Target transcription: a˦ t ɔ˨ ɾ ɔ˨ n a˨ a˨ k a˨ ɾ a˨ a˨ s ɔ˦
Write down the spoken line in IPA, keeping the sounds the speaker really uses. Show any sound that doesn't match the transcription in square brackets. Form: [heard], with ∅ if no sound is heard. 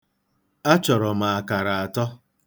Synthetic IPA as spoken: a˦ [t͡ʃ] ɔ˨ ɾ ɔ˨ [m] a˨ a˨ k a˨ ɾ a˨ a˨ [t] ɔ˦